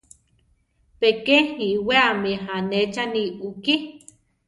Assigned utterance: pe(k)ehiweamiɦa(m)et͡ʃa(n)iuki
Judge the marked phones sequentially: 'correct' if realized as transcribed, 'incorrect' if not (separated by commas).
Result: correct, incorrect, correct